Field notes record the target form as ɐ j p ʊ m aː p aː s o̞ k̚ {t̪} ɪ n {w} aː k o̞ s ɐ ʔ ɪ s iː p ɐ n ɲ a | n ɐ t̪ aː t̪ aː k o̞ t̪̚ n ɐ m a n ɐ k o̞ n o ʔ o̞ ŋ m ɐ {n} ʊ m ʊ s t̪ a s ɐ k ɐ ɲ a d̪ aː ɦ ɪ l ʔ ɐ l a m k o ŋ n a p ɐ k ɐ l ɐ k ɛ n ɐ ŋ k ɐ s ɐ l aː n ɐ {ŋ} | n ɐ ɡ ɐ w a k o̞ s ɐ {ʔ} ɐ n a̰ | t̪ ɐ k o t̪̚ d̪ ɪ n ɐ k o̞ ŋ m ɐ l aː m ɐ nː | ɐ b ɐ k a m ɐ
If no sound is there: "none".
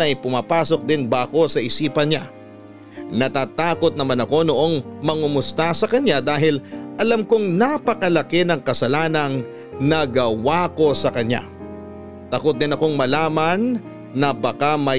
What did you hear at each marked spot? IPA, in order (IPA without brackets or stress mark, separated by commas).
d̪, b, ŋ, ŋ, k